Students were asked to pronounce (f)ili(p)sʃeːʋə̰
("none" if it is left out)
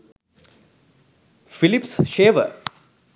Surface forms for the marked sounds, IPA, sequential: f, p

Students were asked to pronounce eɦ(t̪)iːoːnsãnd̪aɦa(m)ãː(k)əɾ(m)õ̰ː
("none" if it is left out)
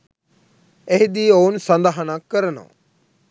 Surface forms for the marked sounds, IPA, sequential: d̪, n, k, n

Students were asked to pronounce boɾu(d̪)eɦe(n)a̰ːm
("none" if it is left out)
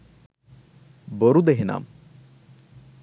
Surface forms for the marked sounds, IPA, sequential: d̪, n

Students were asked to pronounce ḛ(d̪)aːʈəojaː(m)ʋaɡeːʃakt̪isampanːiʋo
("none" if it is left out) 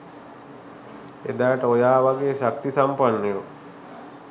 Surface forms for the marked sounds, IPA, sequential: d̪, none

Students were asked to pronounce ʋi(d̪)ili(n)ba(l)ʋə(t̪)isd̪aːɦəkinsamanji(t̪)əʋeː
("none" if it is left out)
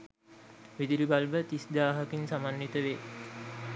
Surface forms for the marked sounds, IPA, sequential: d̪, none, l, t̪, t̪

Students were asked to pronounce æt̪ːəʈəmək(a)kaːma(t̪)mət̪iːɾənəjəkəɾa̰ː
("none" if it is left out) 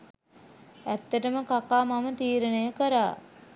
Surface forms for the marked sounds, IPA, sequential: a, none

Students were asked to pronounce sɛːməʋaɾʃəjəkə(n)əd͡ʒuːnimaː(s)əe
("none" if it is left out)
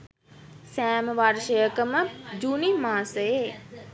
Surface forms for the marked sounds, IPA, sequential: m, s

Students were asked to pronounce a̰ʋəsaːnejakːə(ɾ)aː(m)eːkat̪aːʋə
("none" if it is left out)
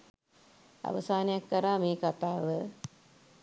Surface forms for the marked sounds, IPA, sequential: ɾ, m

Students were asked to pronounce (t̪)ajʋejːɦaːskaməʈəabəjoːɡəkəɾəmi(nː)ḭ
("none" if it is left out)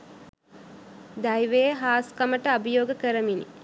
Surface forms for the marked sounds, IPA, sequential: d̪, n

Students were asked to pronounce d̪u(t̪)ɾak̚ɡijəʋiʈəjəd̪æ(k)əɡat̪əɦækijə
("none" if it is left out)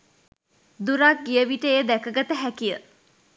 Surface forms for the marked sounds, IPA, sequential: none, k

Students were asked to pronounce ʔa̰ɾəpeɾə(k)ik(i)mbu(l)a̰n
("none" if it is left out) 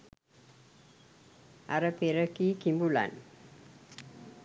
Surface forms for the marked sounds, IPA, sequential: k, i, l

